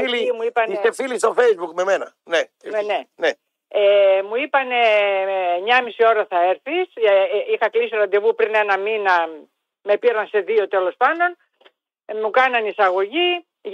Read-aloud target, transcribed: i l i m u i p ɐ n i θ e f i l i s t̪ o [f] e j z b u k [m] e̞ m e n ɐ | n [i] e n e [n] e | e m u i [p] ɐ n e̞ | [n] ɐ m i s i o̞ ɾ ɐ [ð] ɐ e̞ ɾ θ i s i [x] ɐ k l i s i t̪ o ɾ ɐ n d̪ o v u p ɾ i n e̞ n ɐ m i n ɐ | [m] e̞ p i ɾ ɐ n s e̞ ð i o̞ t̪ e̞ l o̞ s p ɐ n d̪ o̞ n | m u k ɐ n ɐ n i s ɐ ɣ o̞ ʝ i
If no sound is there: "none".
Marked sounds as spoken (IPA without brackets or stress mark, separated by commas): f, m, e, n, p, ɲ, θ, x, m